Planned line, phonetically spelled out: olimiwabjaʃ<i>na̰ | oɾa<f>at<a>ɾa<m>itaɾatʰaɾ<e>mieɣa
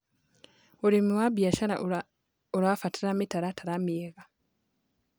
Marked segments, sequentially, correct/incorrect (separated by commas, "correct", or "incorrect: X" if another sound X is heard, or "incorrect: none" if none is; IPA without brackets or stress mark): incorrect: a, correct, incorrect: i, correct, incorrect: a